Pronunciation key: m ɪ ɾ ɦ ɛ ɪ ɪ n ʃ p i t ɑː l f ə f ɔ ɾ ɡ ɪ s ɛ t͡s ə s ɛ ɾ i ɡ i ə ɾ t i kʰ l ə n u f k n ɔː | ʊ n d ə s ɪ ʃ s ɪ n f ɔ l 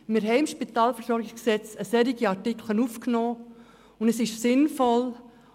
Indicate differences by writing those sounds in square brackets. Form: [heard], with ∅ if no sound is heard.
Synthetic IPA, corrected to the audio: m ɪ ɾ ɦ ɛ ɪ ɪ [m] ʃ p i t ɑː l f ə [s] ɔ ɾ ɡ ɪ s ɛ t͡s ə s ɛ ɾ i ɡ i [ɑ] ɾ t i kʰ l ə n u f k n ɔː | ʊ n d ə s ɪ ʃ s ɪ n f ɔ l

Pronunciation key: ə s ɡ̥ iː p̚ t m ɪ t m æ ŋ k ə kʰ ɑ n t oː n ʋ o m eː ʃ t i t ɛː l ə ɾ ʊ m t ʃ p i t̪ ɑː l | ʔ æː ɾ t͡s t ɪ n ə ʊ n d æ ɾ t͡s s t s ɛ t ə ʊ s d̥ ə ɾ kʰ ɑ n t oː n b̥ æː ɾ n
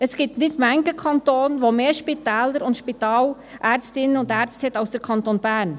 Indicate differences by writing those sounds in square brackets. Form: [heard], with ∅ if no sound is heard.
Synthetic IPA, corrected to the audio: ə s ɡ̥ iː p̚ t [n] ɪ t m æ ŋ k ə kʰ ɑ n t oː n ʋ o m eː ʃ [p] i t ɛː l ə ɾ ʊ [n] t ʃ p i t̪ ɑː l | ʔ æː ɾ t͡s t ɪ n ə ʊ n d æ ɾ t͡s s t [h] ɛ t [ɑ] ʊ s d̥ ə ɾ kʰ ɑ n t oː n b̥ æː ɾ n

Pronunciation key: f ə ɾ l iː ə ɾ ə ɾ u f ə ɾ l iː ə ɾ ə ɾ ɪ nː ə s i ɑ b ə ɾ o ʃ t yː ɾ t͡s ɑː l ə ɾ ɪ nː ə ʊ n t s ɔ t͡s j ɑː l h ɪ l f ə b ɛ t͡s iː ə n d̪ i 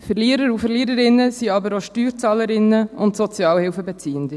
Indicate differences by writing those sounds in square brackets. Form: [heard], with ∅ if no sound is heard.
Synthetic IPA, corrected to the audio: f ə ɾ l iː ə ɾ ə ɾ u f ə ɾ l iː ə ɾ ə ɾ ɪ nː ə s i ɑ b ə ɾ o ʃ t yː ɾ t͡s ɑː l ə ɾ ɪ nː ə ʊ n t s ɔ t͡s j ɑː l h ɪ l f ə b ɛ t͡s iː ə n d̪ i

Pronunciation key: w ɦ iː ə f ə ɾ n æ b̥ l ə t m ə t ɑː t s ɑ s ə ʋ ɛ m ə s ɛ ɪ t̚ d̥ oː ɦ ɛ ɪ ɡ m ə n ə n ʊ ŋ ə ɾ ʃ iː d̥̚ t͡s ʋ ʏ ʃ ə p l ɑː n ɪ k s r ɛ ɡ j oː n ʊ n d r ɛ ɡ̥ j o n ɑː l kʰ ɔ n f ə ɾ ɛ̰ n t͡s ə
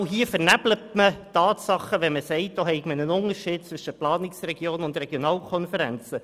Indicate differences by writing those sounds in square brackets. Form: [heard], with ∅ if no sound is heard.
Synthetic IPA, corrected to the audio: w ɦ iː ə f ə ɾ n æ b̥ l ə t m ə t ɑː t s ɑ [χ] ə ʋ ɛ m ə s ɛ ɪ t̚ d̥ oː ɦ ɛ ɪ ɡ m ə n ə n ʊ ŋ ə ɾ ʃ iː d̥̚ t͡s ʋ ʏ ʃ ə p l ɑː n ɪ k s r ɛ ɡ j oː n ʊ n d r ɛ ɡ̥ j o n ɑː l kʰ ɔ n f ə ɾ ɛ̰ n t͡s ə

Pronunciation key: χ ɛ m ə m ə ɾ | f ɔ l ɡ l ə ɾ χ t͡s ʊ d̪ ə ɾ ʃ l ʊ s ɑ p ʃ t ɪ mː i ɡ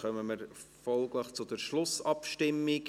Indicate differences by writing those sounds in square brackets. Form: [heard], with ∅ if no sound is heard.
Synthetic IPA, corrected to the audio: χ [œ] m ə m ə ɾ | f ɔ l ɡ l ə [∅] χ t͡s ʊ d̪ ə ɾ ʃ l ʊ s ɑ p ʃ t ɪ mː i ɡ

